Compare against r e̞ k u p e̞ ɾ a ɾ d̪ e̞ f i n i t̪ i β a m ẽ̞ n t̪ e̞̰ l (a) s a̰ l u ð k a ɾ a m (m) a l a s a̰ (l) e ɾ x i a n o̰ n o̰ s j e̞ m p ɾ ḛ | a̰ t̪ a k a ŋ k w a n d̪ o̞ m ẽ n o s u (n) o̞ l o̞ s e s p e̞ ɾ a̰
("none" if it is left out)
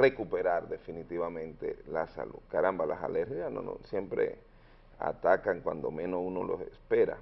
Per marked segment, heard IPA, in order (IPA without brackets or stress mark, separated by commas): a, b, l, n